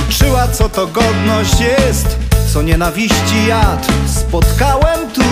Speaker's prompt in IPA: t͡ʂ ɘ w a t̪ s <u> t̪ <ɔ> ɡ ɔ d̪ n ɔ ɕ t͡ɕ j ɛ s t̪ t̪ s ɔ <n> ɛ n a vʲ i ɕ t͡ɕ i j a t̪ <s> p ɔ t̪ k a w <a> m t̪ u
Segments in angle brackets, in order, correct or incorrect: incorrect, correct, incorrect, correct, incorrect

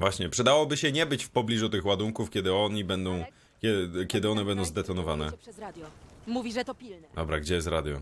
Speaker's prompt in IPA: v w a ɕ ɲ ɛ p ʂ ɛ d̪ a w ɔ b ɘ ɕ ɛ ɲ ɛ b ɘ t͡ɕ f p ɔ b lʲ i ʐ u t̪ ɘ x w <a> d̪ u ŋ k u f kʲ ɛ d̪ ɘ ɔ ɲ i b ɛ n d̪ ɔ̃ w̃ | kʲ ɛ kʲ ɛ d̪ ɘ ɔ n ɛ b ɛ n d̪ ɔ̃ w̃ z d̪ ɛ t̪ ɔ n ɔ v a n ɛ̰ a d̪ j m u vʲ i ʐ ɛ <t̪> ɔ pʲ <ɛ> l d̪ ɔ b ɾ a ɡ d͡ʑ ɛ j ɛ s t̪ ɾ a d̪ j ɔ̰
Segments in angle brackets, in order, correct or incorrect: correct, correct, incorrect

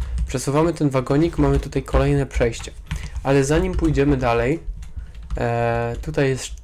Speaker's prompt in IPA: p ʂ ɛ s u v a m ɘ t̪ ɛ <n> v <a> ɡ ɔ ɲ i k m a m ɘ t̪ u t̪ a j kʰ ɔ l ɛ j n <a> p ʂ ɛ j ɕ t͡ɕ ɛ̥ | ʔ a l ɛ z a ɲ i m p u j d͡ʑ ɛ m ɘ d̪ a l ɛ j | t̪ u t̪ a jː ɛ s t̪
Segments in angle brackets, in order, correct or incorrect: correct, correct, incorrect

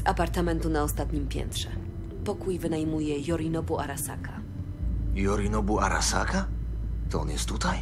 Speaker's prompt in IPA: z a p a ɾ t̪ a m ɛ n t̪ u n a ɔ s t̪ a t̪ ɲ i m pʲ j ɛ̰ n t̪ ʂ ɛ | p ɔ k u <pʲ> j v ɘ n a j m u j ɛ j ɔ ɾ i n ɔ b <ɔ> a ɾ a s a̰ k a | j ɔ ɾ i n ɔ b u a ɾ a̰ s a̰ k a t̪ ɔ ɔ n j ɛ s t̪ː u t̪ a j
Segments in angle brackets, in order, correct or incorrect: incorrect, incorrect

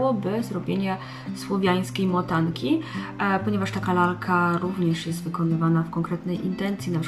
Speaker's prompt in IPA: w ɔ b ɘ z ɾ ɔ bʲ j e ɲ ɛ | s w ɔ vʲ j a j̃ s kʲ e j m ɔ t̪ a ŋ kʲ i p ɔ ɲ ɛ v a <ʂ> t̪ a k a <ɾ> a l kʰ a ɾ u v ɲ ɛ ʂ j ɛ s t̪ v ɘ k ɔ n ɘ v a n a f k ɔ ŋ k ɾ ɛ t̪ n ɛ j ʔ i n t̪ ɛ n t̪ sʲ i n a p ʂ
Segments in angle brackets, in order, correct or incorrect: correct, incorrect

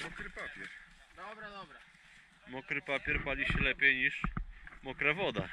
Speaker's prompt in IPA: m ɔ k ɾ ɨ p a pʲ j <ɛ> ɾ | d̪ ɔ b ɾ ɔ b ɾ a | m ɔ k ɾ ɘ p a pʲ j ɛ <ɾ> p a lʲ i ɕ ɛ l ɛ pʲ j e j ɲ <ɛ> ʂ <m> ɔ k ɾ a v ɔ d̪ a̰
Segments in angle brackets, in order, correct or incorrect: correct, correct, incorrect, correct

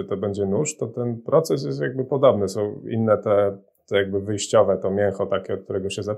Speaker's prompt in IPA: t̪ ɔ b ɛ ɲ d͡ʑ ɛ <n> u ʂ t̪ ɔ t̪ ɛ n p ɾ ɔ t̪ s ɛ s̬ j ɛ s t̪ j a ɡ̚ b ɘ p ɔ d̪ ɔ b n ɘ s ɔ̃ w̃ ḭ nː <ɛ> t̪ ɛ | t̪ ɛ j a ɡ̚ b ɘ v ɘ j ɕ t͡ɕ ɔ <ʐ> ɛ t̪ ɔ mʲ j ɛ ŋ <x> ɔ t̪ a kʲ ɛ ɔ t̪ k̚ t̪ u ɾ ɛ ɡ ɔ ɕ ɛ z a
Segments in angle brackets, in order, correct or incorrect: correct, correct, incorrect, correct

